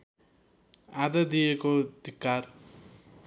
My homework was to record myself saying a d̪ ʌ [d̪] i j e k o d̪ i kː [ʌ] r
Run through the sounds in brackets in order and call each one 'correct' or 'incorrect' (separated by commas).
correct, incorrect